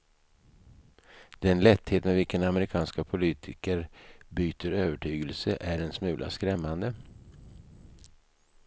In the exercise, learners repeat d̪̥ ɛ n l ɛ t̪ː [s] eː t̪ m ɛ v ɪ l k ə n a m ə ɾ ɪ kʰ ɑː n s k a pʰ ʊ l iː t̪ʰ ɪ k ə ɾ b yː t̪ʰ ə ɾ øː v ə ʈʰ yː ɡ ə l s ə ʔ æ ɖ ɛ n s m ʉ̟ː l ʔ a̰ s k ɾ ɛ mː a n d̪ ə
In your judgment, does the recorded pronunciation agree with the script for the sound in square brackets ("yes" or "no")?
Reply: no